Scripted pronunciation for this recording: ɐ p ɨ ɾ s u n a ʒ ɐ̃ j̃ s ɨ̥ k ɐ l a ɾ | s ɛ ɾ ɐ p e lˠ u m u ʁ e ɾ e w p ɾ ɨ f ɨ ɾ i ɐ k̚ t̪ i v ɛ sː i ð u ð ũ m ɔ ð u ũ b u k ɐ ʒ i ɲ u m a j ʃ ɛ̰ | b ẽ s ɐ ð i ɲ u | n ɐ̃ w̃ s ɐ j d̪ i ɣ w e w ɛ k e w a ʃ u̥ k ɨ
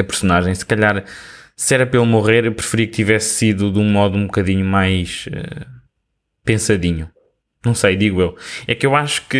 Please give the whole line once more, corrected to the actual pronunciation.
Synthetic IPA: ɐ p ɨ ɾ s u n a ʒ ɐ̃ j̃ s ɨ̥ k ɐ ʎ a ɾ | s ɛ ɾ ɐ p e lˠ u m u ʁ e ɾ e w p ɾ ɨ f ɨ ɾ i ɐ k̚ t̪ i v ɛ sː i ð u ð ũ m ɔ ð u ũ b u k ɐ ð i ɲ u m a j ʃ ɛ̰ | p ẽ s ɐ ð i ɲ u | n ɐ̃ w̃ s ɐ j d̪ i ɣ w e w ɛ k e w a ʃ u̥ k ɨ